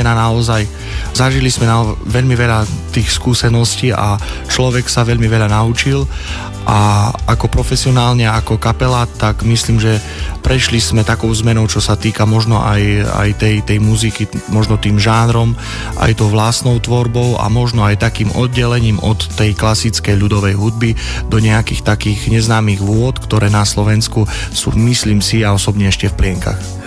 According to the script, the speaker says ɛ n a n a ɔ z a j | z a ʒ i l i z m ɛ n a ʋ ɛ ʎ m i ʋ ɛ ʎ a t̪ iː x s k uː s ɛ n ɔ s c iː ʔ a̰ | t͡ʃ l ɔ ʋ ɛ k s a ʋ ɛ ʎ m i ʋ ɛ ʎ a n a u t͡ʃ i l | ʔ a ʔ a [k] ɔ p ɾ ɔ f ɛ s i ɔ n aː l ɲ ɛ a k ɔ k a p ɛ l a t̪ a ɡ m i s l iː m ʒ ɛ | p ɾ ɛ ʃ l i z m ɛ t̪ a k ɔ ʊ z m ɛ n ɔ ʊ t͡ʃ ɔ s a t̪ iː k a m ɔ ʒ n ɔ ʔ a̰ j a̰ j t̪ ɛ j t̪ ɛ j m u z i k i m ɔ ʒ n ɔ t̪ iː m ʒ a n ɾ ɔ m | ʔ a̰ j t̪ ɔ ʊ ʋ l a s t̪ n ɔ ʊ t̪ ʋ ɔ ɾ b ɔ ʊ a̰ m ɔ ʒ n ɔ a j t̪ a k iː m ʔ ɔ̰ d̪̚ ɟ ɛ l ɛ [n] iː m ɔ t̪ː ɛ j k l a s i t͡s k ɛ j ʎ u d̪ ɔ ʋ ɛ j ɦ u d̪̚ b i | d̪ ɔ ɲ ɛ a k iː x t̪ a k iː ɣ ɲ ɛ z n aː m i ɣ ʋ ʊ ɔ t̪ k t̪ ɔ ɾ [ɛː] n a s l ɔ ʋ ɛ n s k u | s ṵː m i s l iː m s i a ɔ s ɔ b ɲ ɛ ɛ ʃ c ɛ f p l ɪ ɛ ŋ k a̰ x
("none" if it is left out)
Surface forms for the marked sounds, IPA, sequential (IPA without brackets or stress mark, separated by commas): k, ɲ, ɛː